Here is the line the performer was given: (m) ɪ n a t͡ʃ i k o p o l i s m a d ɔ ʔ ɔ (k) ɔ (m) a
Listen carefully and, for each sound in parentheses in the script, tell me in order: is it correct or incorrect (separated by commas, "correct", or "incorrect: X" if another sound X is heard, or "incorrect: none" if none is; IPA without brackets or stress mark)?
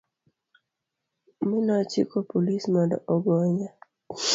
correct, incorrect: ɡ, incorrect: ɲ